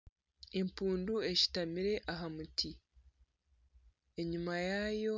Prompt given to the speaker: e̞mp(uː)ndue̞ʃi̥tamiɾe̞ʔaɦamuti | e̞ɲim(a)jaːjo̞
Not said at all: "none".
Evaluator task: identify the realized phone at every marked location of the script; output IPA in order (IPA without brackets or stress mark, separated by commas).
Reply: uː, a